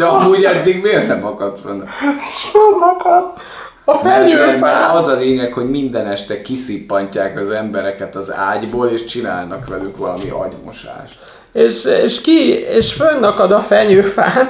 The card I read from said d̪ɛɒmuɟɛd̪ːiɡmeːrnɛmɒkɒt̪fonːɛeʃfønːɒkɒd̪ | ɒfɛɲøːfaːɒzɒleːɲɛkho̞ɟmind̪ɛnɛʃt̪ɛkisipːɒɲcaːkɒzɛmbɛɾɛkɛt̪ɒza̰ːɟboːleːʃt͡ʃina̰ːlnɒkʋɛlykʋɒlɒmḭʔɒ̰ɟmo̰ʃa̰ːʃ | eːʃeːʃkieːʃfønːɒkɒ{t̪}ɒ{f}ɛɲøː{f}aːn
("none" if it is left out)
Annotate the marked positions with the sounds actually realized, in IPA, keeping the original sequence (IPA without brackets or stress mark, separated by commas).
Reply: d̪, f, f